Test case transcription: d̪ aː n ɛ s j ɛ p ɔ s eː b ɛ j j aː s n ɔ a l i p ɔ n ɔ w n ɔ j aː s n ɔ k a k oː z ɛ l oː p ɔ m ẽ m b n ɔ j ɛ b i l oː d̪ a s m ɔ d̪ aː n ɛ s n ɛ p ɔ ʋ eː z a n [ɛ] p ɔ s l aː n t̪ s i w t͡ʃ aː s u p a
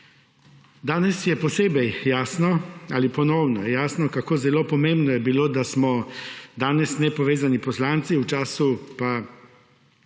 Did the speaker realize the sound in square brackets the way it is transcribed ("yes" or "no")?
no